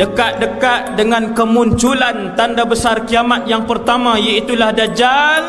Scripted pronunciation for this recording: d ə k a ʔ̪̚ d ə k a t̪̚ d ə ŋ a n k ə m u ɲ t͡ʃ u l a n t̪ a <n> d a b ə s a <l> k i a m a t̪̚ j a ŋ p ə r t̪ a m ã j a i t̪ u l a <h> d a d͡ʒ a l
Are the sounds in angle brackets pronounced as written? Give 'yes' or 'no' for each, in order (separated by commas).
yes, no, yes